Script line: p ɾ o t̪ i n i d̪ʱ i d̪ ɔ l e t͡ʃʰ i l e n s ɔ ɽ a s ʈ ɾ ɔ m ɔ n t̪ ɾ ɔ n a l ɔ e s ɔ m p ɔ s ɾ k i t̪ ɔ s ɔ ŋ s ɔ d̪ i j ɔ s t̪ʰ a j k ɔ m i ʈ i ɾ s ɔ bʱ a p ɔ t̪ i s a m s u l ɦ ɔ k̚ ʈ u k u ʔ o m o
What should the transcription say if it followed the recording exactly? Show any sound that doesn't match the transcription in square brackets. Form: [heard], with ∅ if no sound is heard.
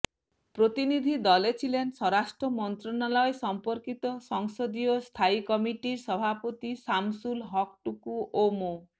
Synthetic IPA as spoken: p ɾ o t̪ i n i d̪ʱ i d̪ ɔ l e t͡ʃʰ i l e n s ɔ [ɾ] a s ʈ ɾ ɔ m ɔ n t̪ ɾ ɔ n a l ɔ e s ɔ m p ɔ [∅] ɾ k i t̪ ɔ s ɔ ŋ s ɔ d̪ i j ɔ s t̪ʰ a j k ɔ m i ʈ i ɾ s ɔ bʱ a p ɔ t̪ i s a m s u l ɦ ɔ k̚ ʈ u k u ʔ o m o